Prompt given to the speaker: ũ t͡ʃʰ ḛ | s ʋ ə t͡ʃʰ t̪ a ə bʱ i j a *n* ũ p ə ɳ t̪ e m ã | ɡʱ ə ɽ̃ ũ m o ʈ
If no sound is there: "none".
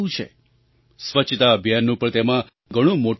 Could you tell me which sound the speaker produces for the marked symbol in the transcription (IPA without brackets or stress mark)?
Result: nː